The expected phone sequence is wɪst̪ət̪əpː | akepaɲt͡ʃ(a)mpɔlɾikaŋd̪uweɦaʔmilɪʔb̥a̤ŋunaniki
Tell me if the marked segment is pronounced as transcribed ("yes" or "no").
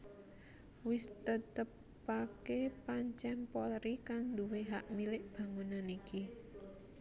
no